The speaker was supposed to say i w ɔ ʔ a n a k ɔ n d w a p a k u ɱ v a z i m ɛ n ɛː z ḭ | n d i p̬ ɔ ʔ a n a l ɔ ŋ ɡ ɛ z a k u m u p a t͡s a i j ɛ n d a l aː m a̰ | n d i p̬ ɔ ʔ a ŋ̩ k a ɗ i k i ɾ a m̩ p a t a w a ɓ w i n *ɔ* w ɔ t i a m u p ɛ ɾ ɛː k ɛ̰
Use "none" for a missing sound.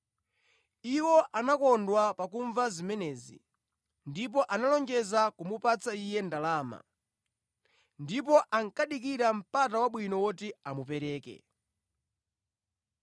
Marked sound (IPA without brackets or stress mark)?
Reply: ɔ